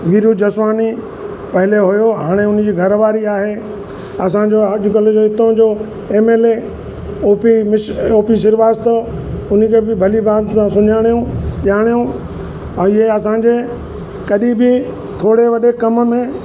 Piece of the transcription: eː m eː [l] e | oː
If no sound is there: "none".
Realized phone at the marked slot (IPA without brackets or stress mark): l